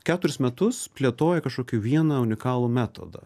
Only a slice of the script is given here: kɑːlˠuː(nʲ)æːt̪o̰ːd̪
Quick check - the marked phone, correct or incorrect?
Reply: incorrect